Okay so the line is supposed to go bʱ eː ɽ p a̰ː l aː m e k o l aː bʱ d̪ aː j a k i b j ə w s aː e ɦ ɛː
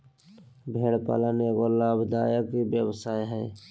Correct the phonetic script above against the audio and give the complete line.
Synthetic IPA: bʱ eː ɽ p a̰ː l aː n e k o l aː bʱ d̪ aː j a k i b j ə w s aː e ɦ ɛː

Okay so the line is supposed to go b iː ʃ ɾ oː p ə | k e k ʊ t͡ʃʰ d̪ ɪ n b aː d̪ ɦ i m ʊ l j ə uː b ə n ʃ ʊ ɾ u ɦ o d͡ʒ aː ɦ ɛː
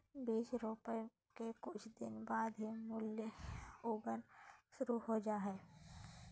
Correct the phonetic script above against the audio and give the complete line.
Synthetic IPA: b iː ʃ ɾ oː p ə | k e k ʊ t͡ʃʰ d̪ ɪ n b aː d̪ ɦ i m ʊ l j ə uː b ə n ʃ ʊ ɾ u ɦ o d͡ʒ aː ɦ ɛː

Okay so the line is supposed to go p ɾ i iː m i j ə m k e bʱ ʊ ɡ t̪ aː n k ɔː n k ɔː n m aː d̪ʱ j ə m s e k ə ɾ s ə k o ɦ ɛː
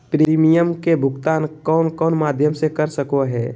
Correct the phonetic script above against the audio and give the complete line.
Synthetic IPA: p ɾ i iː m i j ə m k e bʱ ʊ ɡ t̪ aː n k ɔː n k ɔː n m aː d̪ʱ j ə m s e k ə ɾ s ə k o ɦ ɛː

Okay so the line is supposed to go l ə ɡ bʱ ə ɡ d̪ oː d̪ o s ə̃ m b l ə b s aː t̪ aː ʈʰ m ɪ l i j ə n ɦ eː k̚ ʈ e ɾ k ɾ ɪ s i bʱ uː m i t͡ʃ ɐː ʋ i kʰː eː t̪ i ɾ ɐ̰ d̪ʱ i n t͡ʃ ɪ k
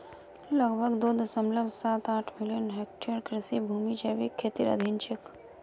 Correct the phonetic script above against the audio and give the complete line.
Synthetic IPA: l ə ɡ bʱ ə ɡ d̪ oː d̪ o s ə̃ m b l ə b s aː t̪ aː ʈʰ m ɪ l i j ə n ɦ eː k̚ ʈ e ɾ k ɾ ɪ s i bʱ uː m i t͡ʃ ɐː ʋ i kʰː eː t̪ i ɾ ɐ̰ d̪ʱ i n t͡ʃ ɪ k

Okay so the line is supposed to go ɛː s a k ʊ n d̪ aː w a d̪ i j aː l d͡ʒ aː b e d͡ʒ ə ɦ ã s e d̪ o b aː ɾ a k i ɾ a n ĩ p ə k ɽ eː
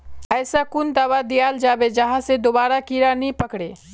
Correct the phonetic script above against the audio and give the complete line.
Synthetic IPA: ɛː s a k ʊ n d̪ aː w a d̪ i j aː l d͡ʒ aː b e d͡ʒ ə ɦ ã s e d̪ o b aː ɾ a k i ɾ a n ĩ p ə k ɽ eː

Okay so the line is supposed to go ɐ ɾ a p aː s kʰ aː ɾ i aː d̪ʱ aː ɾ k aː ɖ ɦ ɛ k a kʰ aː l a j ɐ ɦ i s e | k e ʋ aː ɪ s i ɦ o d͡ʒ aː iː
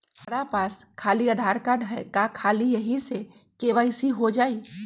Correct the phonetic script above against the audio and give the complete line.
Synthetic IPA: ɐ ɾ a p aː s kʰ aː l i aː d̪ʱ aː ɾ k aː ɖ ɦ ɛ k a kʰ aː l i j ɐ ɦ i s e | k e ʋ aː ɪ s i ɦ o d͡ʒ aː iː

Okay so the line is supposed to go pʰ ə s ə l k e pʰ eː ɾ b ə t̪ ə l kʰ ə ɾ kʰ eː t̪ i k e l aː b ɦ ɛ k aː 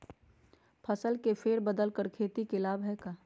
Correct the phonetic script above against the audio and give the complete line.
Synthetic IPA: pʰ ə s ə l k e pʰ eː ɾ b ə d̪ ə l k ə ɾ kʰ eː t̪ i k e l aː b ɦ ɛ k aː

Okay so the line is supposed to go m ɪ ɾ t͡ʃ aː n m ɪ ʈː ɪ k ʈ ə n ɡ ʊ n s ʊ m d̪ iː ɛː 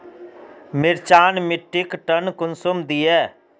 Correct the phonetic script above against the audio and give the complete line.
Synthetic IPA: m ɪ ɾ t͡ʃ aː n m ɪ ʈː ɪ k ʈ ə n k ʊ n s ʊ m d̪ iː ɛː

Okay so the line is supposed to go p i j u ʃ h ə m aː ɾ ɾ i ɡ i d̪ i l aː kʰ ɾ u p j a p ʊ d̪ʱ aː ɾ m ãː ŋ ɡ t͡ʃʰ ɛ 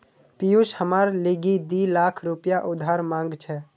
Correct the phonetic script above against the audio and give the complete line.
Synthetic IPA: p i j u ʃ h ə m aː ɾ l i ɡ i d̪ i l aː kʰ ɾ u p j a ʔ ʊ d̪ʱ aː ɾ m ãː ŋ ɡ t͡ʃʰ ɛ

